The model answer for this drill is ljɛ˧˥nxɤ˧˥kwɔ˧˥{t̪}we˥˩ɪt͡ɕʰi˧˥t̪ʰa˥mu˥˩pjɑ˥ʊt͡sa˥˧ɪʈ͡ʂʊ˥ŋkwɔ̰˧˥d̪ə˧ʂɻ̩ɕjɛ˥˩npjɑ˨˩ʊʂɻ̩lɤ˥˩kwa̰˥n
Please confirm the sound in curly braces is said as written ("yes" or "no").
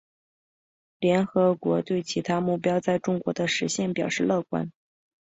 yes